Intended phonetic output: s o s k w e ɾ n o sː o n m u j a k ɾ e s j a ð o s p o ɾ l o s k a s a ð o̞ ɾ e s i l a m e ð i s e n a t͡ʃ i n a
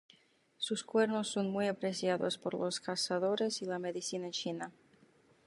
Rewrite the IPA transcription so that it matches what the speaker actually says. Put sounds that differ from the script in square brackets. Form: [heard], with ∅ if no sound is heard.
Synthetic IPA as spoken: s [u] s k w e ɾ n o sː o n m u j a [p] ɾ e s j a ð o s p o ɾ l o s k a s a ð o̞ ɾ e s i l a m e ð i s [i] n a t͡ʃ i n a